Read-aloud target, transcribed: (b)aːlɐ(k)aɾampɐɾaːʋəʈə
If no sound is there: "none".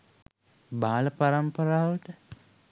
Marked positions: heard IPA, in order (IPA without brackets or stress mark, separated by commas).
b, p